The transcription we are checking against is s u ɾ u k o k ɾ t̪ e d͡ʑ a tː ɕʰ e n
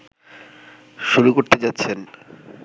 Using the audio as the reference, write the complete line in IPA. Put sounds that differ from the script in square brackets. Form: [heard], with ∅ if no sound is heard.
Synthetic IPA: [ʃ] u ɾ u k o [∅] ɾ t̪ e d͡ʑ a tː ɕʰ e n